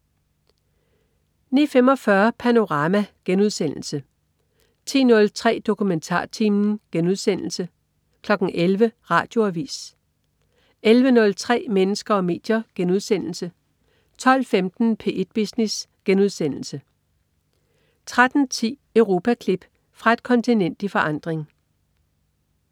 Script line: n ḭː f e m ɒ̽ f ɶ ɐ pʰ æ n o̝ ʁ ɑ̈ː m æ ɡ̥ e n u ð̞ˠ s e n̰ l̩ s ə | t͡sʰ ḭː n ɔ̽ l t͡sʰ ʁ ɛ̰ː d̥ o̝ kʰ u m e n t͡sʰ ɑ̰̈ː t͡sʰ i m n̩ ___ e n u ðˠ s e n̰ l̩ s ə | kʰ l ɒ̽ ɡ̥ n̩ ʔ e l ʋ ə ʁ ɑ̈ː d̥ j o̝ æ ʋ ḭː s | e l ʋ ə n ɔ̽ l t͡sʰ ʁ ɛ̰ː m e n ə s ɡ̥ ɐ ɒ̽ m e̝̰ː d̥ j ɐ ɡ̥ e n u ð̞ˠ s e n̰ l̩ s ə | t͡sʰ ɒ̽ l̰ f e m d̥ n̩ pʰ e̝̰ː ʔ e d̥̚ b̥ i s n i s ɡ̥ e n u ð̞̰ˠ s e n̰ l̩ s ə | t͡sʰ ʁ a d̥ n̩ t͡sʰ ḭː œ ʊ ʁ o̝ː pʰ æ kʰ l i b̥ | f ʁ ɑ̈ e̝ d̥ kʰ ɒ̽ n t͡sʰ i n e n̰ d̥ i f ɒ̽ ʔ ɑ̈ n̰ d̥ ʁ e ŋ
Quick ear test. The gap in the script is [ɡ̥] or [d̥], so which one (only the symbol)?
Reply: ɡ̥